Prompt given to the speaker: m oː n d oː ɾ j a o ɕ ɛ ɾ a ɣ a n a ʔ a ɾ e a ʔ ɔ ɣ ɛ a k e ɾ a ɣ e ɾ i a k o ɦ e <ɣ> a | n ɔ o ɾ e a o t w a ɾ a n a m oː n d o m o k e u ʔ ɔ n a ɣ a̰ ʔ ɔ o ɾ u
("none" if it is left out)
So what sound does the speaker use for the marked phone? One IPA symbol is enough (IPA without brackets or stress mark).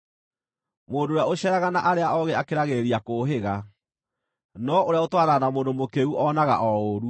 ɣ